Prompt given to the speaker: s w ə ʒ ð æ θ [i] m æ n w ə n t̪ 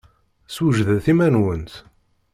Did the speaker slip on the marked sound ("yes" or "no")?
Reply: no